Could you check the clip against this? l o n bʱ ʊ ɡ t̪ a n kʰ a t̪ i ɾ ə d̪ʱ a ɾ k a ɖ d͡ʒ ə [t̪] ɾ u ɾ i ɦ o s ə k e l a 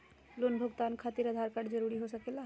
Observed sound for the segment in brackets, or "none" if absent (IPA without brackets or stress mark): none